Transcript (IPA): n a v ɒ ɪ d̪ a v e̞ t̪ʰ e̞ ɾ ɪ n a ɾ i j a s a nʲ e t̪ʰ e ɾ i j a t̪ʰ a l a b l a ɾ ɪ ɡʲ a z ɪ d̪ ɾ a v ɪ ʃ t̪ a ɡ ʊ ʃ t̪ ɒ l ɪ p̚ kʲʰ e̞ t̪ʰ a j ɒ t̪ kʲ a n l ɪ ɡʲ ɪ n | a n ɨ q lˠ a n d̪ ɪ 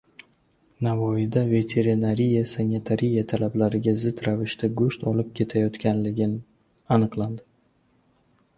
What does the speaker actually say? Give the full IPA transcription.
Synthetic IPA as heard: n a v ɒ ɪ d̪ a v e̞ t̪ʰ e̞ ɾ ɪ n a ɾ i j a s a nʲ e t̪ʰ a ɾ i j a t̪ʰ a l a b l a ɾ ɪ ɡʲ a z ɪ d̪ ɾ a v ɪ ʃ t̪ a ɡ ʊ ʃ t̪ ɒ l ɪ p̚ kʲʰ e̞ t̪ʰ a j ɒ t̪ kʲ a n l ɪ ɡʲ ɪ n | a n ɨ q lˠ a n d̪ ɪ